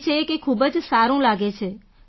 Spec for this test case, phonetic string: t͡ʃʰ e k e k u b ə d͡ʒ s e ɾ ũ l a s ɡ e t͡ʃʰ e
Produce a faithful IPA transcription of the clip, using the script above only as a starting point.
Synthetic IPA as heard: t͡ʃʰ e k e kʰ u b ə d͡ʒ s a ɾ ũ l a ɡ e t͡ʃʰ e